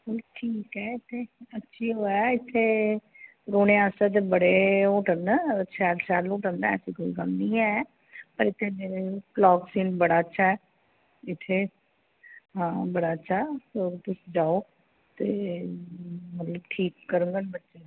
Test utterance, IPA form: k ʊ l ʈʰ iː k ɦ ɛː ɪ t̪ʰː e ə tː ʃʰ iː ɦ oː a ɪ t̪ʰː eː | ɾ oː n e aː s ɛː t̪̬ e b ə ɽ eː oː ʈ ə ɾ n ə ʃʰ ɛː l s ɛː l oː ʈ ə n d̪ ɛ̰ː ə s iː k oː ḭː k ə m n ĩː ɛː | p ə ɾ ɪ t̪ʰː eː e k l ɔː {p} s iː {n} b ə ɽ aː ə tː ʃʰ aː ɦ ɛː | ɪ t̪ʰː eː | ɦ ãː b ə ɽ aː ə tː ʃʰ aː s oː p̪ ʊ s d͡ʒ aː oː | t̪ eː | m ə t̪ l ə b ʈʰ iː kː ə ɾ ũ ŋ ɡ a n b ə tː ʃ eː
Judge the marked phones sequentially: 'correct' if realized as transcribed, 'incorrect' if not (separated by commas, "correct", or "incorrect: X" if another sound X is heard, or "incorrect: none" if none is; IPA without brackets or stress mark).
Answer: incorrect: k, correct